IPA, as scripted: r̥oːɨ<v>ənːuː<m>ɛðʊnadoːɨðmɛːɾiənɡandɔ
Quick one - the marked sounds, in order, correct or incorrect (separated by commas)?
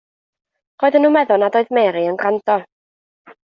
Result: incorrect, correct